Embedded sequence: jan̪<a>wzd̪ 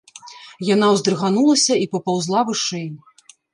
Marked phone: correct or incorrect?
correct